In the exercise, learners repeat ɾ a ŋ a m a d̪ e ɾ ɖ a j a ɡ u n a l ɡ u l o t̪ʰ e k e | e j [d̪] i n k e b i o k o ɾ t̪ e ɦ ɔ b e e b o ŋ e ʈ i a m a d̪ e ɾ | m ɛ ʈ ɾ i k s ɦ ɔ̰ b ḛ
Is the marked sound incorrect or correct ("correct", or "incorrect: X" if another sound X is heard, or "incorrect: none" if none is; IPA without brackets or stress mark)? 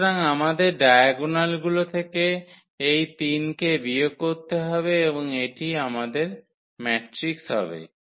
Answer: incorrect: t̪